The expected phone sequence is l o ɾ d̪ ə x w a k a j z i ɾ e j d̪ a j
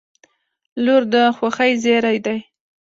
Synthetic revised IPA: l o ɾ d̪ ə x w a x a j z e ɾ a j d̪ a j